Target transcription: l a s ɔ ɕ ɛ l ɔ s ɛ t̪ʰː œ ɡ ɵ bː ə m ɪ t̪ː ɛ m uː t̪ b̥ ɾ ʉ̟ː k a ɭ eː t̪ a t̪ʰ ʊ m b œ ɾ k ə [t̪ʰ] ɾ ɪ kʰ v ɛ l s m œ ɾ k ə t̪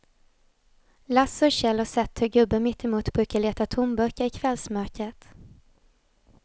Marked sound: incorrect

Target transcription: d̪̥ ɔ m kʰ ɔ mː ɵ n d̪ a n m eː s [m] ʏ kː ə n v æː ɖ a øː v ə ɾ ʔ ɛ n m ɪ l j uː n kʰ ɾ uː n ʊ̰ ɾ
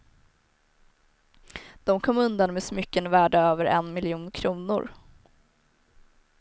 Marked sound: correct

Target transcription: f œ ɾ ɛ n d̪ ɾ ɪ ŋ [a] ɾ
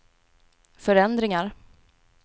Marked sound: correct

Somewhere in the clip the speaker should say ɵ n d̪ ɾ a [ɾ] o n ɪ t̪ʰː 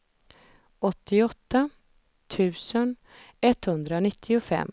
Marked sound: incorrect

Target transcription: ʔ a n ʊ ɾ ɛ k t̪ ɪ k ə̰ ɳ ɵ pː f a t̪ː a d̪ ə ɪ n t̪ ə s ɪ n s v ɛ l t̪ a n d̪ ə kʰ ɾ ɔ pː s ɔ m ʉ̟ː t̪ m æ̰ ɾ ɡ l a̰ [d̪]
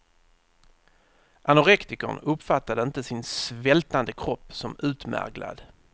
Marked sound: correct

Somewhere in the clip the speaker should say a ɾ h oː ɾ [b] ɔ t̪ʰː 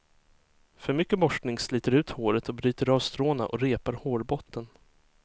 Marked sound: correct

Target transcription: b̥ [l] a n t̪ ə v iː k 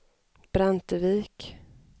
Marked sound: incorrect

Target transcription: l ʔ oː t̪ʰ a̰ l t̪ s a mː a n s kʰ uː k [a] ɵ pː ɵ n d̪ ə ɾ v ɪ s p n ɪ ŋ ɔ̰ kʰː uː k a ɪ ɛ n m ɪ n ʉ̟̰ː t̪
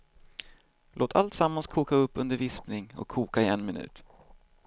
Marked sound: correct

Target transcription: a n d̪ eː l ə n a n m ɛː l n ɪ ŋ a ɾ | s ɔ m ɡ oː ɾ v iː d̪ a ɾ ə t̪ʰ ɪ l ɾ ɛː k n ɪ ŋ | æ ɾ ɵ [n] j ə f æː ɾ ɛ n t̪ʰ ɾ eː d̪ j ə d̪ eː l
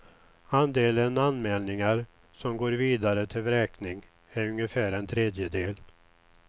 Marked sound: incorrect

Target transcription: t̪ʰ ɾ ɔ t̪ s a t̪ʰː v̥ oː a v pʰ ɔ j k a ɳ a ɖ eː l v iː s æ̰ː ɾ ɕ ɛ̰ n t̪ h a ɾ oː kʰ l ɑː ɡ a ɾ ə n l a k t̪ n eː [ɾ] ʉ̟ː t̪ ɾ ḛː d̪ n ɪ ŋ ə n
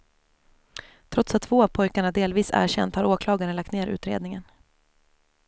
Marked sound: correct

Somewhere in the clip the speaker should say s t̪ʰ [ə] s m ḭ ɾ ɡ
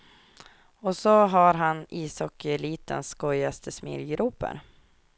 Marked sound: correct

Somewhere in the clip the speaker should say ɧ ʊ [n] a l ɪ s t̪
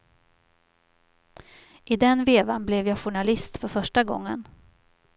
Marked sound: incorrect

